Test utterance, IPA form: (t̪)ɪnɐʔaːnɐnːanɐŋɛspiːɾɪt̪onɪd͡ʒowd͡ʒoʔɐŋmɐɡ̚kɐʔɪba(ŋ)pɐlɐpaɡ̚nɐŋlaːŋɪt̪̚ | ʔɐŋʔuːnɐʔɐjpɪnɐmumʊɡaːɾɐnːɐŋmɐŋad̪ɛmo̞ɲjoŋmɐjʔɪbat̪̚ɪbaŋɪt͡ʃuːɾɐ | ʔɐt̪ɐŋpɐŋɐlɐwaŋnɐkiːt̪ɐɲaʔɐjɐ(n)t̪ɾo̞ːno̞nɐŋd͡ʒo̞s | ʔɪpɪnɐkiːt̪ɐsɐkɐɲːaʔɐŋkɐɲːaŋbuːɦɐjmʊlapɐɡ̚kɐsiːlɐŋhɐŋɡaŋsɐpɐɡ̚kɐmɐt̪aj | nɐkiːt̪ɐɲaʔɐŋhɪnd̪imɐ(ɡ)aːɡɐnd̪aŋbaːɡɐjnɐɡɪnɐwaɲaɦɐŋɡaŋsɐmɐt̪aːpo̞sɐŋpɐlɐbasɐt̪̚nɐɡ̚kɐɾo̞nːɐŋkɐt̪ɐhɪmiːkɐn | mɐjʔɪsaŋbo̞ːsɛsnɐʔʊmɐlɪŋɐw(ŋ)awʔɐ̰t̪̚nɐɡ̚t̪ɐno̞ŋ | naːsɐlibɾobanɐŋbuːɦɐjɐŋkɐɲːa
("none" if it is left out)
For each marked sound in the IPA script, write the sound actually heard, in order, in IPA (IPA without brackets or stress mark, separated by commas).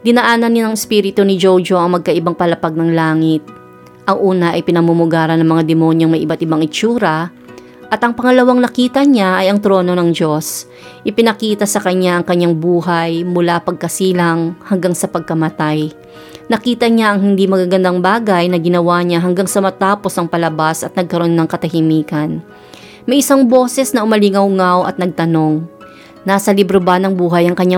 d̪, ŋ, ŋ, ɡ, ŋ